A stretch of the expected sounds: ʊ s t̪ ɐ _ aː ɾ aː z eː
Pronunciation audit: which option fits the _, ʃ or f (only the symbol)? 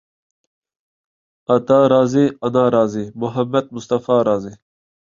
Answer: f